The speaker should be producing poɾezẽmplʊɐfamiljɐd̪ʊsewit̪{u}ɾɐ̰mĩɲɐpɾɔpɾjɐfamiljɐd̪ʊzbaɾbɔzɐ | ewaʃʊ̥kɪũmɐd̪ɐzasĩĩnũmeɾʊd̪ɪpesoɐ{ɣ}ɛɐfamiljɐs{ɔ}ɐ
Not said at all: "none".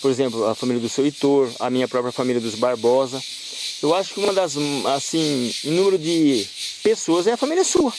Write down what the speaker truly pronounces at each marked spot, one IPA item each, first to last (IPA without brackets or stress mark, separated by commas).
o, z, u